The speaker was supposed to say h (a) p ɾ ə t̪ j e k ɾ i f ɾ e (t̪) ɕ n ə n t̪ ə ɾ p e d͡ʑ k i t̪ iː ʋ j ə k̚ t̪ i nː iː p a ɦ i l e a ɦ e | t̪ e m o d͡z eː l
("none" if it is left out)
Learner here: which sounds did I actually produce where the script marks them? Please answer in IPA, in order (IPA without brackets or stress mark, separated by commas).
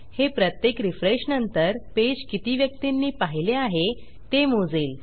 e, none